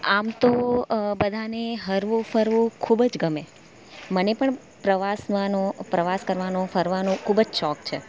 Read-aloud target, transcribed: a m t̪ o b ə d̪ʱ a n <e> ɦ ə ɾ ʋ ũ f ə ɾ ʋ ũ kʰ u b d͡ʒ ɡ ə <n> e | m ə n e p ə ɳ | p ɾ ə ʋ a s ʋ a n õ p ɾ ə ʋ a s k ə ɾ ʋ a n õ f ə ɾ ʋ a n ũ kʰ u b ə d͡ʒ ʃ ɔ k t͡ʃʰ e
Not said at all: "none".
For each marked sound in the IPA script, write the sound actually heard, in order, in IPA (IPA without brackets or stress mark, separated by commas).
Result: e, m